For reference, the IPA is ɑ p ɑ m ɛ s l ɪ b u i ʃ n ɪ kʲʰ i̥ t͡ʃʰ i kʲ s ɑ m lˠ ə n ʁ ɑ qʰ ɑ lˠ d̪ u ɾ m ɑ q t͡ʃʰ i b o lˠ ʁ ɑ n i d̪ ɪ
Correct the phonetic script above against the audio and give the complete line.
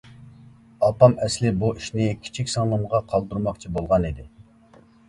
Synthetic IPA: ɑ p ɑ m ɛ s l ɪ b u i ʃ n ɪ kʲʰ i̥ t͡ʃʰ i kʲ s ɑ ŋ lˠ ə m ʁ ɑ qʰ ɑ lˠ d̪ u ɾ m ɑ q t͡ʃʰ i b o lˠ ʁ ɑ n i d̪ ɪ